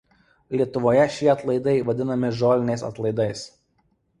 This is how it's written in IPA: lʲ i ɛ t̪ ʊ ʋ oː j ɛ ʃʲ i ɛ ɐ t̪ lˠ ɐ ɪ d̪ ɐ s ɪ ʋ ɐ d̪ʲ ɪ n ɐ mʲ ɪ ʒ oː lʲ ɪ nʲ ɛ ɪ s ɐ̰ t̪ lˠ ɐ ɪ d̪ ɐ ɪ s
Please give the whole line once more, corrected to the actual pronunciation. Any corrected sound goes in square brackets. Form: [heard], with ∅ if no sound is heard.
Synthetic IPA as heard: lʲ i ɛ t̪ ʊ ʋ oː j ɛ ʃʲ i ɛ ɐ t̪ lˠ ɐ ɪ d̪ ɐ [∅] ɪ ʋ ɐ d̪ʲ ɪ n ɐ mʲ ɪ ʒ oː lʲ ɪ nʲ ɛ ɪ s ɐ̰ t̪ lˠ ɐ ɪ d̪ ɐ ɪ s